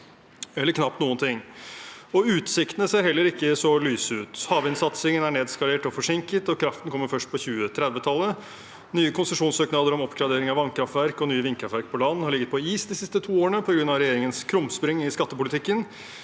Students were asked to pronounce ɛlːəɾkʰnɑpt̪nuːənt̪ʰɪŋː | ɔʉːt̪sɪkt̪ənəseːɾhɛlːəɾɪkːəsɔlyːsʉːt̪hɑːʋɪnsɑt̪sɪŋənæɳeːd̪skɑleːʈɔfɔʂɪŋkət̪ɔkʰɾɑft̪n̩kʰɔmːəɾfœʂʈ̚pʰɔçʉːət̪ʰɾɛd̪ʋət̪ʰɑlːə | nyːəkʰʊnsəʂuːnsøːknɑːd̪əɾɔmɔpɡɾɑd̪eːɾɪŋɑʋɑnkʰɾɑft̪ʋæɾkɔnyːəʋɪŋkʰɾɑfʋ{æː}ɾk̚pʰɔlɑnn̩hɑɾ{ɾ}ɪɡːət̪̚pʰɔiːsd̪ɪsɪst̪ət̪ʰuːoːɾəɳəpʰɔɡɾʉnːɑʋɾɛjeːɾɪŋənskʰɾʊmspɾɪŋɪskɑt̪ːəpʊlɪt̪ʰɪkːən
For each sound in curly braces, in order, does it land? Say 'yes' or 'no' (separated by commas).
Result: no, no